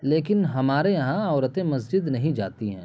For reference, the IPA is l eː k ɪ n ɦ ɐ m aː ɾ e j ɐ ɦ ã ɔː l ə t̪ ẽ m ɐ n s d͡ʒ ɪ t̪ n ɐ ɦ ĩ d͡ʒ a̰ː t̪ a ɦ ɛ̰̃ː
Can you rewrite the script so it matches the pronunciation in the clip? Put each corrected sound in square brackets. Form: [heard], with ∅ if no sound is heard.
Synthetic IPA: l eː k ɪ n ɦ ɐ m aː ɾ e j ɐ ɦ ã ɔː [ɾ] ə t̪ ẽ m ɐ [∅] s d͡ʒ ɪ [d̪] n ɐ ɦ ĩ d͡ʒ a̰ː t̪ [i] ɦ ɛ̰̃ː